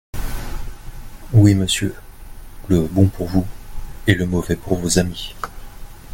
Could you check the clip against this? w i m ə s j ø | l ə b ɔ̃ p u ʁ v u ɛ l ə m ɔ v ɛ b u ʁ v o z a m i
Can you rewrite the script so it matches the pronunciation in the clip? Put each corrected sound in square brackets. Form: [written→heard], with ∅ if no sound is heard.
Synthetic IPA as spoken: w i m ə s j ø | l ə b ɔ̃ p u ʁ v u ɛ l ə m ɔ v ɛ [b→p] u ʁ v o z a m i